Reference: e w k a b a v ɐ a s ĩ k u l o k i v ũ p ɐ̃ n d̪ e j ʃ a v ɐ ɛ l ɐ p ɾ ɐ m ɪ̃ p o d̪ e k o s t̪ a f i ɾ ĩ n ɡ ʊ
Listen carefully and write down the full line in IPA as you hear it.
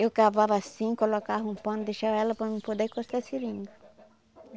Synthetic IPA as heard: e w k a v a v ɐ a s ĩ k o l o k a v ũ p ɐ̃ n d̪ e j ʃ a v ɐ ɛ l ɐ p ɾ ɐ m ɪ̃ p o d̪ e k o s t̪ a s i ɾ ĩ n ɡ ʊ